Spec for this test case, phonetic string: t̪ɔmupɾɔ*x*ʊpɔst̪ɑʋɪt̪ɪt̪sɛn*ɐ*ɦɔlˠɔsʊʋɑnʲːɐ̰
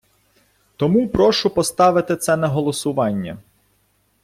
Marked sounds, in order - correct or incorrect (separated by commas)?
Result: incorrect, correct